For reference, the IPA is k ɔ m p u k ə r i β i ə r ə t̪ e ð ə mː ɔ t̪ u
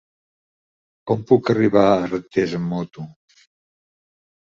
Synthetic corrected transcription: k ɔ m p u k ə r i β a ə r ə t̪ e z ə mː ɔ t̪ u